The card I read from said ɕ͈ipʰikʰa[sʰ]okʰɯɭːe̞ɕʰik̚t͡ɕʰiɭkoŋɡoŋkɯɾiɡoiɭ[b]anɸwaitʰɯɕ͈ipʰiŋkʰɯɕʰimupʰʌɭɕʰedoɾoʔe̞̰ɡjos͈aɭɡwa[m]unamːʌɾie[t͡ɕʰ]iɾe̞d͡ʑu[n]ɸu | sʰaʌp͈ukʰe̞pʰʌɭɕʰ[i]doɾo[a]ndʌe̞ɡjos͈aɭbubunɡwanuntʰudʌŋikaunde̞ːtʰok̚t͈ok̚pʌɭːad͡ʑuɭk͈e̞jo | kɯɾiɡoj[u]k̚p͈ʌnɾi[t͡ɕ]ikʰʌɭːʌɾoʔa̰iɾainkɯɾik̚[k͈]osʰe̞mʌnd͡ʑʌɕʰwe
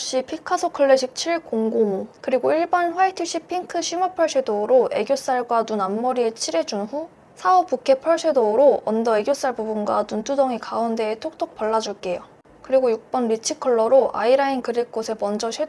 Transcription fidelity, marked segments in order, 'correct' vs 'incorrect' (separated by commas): correct, correct, incorrect, correct, correct, incorrect, incorrect, correct, incorrect, correct